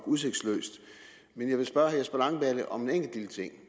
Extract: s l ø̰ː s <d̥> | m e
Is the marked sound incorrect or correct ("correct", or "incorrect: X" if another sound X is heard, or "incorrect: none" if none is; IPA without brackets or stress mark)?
correct